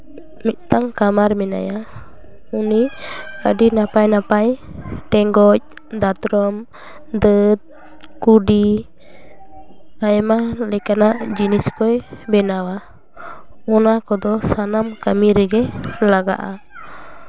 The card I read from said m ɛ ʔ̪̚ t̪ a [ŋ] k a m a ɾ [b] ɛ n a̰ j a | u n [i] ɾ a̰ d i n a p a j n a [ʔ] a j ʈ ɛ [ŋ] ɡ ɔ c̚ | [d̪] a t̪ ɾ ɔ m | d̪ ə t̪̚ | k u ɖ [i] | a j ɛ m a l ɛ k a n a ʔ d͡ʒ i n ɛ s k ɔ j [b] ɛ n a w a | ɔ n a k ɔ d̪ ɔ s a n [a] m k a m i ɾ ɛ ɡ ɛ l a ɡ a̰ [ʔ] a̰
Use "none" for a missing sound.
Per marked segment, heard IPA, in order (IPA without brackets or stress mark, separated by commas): ŋ, m, i, p, ŋ, d̪, i, b, a, ʔ